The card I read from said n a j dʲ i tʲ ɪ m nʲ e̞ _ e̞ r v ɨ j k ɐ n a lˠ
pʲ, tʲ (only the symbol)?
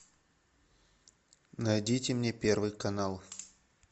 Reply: pʲ